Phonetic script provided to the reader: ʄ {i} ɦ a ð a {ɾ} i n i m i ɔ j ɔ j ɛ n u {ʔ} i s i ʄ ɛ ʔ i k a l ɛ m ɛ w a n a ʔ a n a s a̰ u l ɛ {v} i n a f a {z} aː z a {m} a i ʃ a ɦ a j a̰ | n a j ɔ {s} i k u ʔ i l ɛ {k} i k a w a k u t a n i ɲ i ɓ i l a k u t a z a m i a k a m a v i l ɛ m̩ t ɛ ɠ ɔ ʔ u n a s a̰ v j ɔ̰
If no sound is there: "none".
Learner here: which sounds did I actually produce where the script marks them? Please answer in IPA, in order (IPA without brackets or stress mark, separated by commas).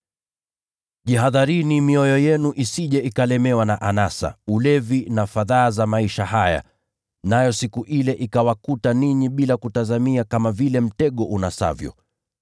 i, ɾ, ʔ, v, ð, m, s, ʔ